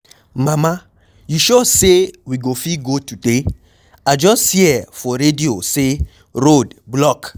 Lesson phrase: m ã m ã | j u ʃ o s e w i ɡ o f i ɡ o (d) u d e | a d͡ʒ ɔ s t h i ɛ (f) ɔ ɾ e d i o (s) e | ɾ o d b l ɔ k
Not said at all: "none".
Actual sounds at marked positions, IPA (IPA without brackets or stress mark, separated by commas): t, f, s